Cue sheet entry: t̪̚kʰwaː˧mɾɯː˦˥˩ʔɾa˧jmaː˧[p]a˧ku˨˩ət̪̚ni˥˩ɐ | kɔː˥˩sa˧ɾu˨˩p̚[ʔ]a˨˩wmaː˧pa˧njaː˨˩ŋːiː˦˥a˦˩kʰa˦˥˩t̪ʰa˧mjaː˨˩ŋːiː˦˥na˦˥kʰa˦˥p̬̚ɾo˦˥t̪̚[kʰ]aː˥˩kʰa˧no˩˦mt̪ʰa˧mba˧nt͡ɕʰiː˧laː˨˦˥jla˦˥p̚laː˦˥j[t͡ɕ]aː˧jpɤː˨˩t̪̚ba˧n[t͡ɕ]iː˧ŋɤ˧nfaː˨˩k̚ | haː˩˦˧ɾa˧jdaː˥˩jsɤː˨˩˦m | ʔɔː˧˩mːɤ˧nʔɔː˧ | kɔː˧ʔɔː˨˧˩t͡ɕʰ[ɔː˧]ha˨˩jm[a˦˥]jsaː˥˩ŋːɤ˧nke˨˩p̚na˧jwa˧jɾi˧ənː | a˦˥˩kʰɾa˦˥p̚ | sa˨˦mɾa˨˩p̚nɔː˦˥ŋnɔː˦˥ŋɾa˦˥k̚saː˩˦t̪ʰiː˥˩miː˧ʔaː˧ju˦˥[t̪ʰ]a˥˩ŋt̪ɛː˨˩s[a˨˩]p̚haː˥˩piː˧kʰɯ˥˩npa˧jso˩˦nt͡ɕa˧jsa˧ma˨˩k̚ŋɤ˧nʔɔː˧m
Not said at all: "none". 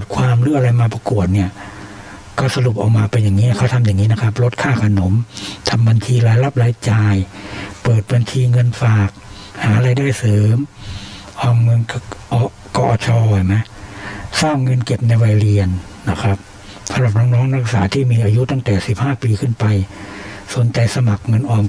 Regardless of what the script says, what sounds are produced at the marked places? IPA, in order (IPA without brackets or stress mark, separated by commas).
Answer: p, ʔ, kʰ, t͡ɕ, t͡ɕʰ, ɔː˧, a˦˥, t̪, i˨˩